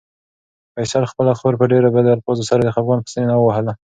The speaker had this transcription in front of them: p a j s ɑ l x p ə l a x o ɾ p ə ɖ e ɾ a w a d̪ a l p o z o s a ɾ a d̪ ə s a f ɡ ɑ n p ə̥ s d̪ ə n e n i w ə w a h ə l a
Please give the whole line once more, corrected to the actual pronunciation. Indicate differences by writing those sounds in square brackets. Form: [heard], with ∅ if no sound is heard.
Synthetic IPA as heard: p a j s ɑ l x p ə l a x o ɾ p ə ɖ e ɾ a [b] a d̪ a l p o z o s a ɾ a d̪ ə [x] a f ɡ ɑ n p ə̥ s [t̪] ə n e n [a] w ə w a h ə l a